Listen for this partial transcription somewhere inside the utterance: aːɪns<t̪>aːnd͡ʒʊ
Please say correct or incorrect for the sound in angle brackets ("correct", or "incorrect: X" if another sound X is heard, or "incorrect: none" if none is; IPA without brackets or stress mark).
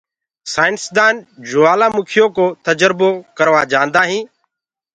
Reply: incorrect: d̪